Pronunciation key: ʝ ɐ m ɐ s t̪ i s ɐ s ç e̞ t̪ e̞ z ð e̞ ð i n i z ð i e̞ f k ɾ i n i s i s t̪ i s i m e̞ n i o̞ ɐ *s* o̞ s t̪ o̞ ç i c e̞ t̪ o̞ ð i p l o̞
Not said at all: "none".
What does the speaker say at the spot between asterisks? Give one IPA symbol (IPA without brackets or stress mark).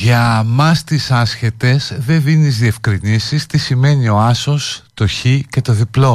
s